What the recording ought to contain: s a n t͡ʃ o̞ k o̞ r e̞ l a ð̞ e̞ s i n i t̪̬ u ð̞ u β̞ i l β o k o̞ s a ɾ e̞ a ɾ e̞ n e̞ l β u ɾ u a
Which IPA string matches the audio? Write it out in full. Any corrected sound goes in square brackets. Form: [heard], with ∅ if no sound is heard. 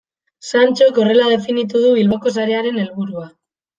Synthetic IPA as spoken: s a n t͡ʃ o̞ k o̞ r e̞ l a ð̞ e̞ [f] i n i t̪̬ u ð̞ u β̞ i l β o k o̞ s a ɾ e̞ a ɾ e̞ n e̞ l β u ɾ u a